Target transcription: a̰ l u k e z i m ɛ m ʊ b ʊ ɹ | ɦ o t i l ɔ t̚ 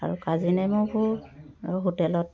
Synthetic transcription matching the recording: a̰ ɹ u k a z i n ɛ m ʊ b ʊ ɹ | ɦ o t ɛ l ɔ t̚